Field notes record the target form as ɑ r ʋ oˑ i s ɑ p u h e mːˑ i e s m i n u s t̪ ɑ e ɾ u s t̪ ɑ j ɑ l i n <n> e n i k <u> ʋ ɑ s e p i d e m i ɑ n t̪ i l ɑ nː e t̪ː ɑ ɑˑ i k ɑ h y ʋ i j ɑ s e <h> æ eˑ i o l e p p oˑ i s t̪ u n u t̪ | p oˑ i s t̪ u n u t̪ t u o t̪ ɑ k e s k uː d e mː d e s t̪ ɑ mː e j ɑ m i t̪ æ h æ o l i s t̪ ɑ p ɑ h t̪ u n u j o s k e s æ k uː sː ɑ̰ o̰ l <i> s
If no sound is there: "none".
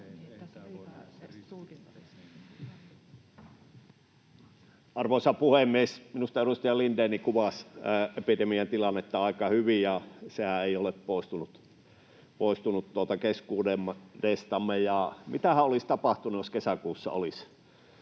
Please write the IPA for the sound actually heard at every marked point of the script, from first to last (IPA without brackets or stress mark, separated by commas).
d, u, h, i